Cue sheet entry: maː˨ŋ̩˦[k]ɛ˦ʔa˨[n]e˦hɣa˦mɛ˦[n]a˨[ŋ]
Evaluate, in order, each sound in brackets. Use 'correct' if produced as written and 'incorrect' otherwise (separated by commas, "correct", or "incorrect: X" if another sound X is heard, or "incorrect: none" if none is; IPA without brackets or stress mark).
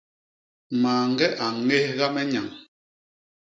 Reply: incorrect: ɡ, incorrect: ŋ, incorrect: ɲ, correct